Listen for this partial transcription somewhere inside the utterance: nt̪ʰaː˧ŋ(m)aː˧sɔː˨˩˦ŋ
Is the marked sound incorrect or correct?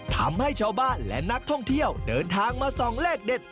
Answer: correct